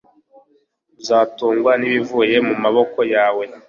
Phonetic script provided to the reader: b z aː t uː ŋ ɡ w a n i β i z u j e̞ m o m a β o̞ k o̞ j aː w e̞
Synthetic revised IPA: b z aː t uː ŋ ɡ w a n i β i v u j e̞ m u m a β o̞ k o̞ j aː w e̞